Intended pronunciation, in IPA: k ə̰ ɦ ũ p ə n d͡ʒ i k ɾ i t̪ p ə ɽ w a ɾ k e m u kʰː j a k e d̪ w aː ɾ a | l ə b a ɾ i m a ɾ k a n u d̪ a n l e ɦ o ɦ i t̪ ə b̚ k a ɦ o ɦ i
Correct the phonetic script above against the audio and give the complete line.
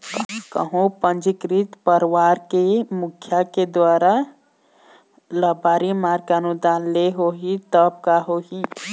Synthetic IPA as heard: k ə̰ ɦ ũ p ə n d͡ʒ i k ɾ i t̪ p ə ɾ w a ɾ k e m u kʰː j a k e d̪ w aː ɾ a | l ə b a ɾ i m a ɾ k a n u d̪ a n l e ɦ o ɦ i t̪ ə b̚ k a ɦ o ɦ i